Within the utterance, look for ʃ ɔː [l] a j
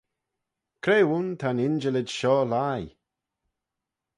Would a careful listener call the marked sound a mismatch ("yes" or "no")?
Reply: no